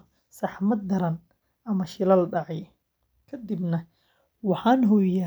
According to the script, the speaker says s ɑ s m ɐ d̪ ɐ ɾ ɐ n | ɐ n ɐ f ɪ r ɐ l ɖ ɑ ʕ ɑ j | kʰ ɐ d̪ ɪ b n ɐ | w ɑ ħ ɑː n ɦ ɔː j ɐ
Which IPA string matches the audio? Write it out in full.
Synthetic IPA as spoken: s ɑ ħ m ɐ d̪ ɐ ɾ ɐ n | ɐ m ɐ ʃ ɪ l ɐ l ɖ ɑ ʕ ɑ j | kʰ ɐ d̪ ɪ b n ɐ | w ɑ ħ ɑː n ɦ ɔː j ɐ